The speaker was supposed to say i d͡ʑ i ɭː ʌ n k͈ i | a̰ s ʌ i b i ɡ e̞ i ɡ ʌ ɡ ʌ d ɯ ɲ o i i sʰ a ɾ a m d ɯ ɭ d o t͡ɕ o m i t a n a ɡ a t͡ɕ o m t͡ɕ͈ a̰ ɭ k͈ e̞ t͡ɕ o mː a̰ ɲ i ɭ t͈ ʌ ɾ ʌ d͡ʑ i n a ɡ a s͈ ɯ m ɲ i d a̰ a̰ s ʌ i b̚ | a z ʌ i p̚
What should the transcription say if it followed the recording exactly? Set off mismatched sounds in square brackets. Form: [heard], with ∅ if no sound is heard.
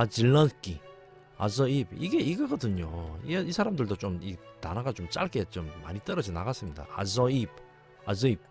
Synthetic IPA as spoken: [a] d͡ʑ i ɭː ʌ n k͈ i | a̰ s ʌ i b i ɡ e̞ i ɡ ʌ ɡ ʌ d ɯ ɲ o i i sʰ a ɾ a m d ɯ ɭ d o t͡ɕ o m i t a n a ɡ a t͡ɕ o m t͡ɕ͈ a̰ ɭ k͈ e̞ t͡ɕ o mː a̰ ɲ i [∅] t͈ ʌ ɾ ʌ d͡ʑ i n a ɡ a s͈ ɯ m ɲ i d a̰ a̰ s ʌ i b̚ | a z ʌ i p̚